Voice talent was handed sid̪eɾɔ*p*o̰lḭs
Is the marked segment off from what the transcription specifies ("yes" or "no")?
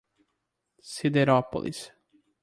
no